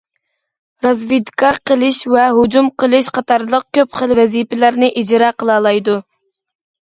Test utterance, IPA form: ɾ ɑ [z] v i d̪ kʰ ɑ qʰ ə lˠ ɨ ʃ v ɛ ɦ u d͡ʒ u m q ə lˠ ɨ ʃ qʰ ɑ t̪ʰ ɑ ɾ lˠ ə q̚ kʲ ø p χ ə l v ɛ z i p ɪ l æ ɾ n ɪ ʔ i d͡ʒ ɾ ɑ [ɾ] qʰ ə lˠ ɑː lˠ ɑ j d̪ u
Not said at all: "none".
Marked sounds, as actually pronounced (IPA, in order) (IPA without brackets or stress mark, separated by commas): z, none